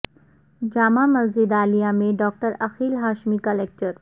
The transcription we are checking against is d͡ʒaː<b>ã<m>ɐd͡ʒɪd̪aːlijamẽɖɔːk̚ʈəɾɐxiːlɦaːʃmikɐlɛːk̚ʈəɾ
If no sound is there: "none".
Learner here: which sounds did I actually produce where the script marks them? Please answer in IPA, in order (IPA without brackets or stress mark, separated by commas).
m, m